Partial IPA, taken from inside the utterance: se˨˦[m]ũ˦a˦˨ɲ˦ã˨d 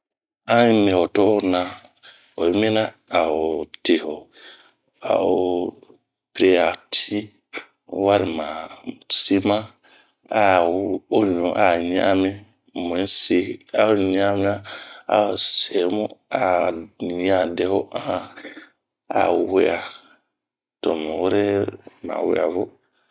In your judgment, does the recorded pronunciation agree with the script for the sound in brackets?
yes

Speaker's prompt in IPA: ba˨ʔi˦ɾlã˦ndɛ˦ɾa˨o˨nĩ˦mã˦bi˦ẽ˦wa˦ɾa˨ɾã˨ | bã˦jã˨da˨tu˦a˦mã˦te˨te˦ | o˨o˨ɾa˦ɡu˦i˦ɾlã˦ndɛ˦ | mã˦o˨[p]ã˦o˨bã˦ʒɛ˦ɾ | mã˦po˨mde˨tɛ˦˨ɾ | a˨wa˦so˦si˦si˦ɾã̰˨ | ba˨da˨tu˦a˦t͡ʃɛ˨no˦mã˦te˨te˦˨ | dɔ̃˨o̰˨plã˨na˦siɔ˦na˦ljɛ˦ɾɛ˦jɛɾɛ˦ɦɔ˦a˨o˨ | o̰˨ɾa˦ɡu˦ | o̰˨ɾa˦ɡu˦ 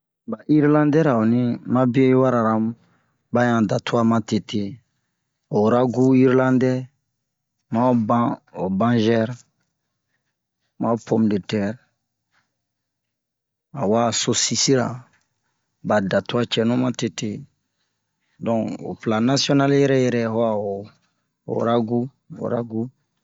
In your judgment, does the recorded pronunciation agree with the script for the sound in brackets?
no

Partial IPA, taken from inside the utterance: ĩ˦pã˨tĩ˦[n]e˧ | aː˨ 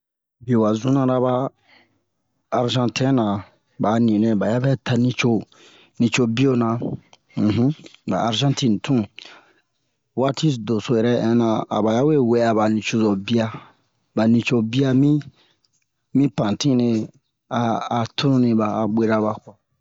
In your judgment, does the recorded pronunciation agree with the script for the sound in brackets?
yes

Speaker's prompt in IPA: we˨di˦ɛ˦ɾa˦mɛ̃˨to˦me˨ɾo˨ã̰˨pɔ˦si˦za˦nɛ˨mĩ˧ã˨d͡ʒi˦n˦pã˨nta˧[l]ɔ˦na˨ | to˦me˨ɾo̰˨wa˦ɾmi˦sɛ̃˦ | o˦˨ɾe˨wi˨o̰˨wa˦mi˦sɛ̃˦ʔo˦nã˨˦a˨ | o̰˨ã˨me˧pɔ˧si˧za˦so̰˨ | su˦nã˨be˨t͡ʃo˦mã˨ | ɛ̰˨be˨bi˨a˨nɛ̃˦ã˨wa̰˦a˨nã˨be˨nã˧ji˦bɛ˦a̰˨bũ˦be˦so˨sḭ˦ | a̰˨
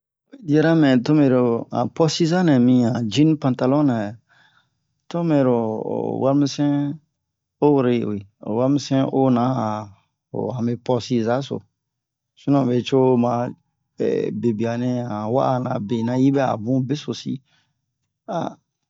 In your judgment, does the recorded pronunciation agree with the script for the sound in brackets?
yes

